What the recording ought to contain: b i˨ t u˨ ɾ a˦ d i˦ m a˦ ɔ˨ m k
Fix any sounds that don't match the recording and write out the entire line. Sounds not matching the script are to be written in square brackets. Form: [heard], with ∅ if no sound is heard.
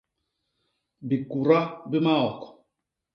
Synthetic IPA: b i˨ [k] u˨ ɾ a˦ [b] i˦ m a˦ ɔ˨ [∅] k